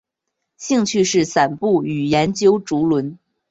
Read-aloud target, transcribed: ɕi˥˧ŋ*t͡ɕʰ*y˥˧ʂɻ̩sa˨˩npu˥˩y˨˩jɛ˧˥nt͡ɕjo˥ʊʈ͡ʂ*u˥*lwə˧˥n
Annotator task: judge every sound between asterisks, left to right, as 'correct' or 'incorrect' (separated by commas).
correct, incorrect